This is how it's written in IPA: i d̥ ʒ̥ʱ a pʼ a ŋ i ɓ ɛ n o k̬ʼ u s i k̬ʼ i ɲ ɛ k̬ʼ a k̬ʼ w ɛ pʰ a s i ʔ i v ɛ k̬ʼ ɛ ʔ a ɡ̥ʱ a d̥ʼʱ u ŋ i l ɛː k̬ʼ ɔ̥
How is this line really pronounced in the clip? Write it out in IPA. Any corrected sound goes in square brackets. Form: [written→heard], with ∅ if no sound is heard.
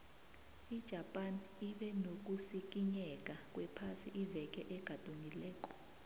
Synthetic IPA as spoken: i d̥ ʒ̥ʱ a pʼ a [ŋ→n] i ɓ ɛ n o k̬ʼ u s i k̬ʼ i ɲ ɛ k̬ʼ a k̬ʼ w ɛ pʰ a s i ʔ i v ɛ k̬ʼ ɛ ʔ [a→ɛ] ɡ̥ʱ a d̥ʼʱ u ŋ i l ɛː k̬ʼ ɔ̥